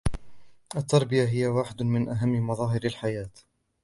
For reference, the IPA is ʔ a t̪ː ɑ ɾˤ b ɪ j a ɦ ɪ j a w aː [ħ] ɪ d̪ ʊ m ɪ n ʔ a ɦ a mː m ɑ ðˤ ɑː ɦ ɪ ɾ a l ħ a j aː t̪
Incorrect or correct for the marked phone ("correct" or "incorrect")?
correct